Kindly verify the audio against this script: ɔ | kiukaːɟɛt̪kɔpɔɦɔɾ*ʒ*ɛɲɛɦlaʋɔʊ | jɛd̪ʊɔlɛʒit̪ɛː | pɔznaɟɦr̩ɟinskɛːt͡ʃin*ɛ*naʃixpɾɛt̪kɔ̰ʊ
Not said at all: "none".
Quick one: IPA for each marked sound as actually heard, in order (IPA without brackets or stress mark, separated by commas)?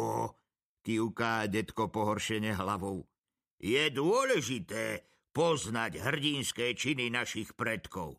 ʃ, i